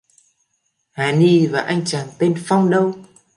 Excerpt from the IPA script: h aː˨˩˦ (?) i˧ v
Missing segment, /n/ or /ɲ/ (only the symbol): n